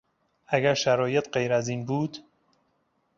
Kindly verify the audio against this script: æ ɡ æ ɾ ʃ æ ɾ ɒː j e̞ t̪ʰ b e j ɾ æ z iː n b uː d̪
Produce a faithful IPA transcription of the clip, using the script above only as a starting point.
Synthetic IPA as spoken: æ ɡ æ ɾ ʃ æ ɾ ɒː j e̞ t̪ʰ ɢ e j ɾ æ z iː n b uː d̪

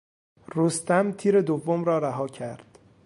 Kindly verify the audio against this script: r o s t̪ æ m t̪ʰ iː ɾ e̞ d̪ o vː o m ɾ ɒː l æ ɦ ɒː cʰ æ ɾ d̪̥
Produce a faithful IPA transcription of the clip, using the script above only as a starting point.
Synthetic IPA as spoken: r o s t̪ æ m t̪ʰ iː ɾ e̞ d̪ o vː o m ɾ ɒː ɾ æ ɦ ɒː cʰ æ ɾ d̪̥

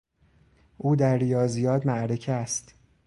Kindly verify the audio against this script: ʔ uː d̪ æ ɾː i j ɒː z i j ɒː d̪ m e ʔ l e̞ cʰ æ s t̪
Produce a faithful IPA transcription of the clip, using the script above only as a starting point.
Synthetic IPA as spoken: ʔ uː d̪ æ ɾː i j ɒː z i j ɒː d̪ m æ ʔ ɾ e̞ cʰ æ s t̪

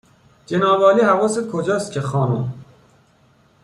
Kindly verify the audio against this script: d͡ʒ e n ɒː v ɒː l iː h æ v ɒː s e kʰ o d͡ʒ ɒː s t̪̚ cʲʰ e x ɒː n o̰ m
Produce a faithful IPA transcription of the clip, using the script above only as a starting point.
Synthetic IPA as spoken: d͡ʒ e n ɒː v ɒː l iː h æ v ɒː s e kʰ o d͡ʒ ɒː s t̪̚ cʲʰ e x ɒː n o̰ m

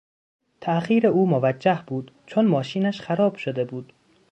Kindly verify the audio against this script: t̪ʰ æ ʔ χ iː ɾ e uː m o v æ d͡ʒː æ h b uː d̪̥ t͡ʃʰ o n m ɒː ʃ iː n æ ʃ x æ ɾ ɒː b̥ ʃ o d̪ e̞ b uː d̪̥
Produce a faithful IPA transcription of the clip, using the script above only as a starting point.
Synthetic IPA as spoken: t̪ʰ æ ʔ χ iː ɾ e uː m o v æ d͡ʒː æ h b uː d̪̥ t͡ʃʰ o n m ɒː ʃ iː n æ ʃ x æ ɾ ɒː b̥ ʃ o d̪ e̞ b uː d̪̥

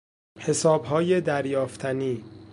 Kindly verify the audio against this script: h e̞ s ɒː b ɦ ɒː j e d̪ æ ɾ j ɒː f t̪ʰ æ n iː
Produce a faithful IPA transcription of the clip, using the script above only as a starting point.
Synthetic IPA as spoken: h e̞ s ɒː b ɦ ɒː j e d̪ æ ɾ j ɒː f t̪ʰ æ n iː

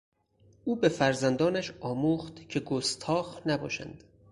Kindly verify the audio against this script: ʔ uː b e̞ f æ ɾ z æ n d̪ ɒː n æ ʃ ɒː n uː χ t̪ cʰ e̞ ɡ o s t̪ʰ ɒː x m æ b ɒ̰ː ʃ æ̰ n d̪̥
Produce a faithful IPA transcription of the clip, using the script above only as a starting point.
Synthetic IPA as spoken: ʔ uː b e̞ f æ ɾ z æ n d̪ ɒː n æ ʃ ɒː m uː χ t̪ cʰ e̞ ɡ o s t̪ʰ ɒː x n æ b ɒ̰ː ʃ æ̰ n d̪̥

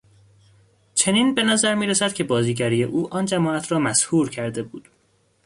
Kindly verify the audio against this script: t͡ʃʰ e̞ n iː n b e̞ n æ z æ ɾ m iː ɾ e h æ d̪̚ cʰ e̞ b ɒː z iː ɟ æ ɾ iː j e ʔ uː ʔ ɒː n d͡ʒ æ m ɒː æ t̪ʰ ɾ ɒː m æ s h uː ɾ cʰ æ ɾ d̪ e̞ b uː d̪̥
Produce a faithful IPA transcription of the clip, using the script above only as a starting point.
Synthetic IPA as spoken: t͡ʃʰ e̞ n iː n b e̞ n æ z æ ɾ m iː ɾ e s æ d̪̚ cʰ e̞ b ɒː z iː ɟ æ ɾ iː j e ʔ uː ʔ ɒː n d͡ʒ æ m ɒː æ t̪ʰ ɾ ɒː m æ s h uː ɾ cʰ æ ɾ d̪ e̞ b uː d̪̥

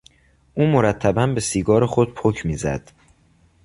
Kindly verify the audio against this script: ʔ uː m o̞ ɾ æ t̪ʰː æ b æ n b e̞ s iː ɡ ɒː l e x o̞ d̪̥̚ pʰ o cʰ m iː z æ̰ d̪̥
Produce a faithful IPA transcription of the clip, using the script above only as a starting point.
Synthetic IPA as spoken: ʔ uː m o̞ ɾ æ t̪ʰː æ b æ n b e̞ s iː ɡ ɒː ɾ e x o̞ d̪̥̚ pʰ o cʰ m iː z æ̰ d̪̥

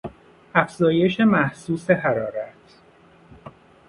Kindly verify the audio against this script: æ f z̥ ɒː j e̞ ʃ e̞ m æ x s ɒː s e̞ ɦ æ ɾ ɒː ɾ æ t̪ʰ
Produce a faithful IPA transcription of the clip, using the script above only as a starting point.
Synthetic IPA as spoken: æ f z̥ ɒː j e̞ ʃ e̞ m æ h s uː s e̞ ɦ æ ɾ ɒː ɾ æ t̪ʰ

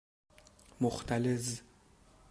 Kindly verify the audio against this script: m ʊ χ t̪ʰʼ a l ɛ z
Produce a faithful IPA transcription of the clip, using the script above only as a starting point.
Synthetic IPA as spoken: m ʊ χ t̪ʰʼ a l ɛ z

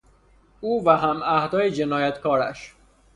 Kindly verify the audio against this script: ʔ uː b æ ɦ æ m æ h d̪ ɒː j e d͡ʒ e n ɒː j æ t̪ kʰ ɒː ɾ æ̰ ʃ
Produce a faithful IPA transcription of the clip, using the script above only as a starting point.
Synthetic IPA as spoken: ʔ uː v æ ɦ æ m æ h d̪ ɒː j e d͡ʒ e n ɒː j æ t̪ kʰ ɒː ɾ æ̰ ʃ

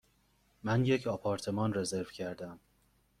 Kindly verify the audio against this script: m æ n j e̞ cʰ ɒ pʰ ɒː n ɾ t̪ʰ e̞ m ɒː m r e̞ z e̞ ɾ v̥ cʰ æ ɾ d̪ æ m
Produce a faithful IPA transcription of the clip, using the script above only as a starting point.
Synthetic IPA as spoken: m æ n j e̞ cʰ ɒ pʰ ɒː ɾ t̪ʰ e̞ m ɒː n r e̞ z e̞ ɾ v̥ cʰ æ ɾ d̪ æ m

